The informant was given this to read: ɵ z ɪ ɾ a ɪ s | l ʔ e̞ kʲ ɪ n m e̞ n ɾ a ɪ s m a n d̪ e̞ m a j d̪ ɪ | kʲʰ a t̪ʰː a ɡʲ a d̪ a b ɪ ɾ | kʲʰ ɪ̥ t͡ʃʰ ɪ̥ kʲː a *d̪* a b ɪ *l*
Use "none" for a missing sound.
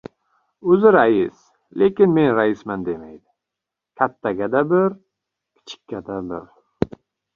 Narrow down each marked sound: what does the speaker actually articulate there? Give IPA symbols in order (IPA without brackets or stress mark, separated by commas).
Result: d̪, ɾ